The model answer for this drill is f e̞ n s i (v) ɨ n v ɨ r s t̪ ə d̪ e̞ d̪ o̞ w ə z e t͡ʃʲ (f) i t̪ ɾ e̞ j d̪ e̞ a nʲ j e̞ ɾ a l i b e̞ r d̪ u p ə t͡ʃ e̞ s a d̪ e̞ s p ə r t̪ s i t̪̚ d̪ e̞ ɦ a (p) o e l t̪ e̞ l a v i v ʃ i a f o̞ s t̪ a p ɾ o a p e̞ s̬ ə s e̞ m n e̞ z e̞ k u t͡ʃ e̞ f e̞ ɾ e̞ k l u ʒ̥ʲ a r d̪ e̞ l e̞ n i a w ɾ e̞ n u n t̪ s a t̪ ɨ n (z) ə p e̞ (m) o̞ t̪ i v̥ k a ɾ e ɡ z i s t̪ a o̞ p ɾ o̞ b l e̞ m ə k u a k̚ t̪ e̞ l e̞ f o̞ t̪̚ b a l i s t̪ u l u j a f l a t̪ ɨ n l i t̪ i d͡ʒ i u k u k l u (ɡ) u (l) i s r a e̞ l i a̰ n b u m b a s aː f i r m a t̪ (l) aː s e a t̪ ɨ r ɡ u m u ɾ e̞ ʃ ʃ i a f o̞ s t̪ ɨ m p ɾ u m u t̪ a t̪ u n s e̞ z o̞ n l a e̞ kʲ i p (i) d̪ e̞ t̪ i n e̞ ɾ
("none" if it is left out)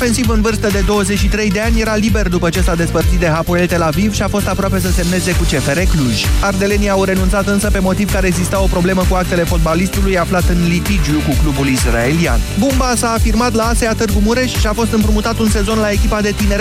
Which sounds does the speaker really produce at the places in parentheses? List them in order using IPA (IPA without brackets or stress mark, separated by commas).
v, ʃ, p, s, m, b, l, l, a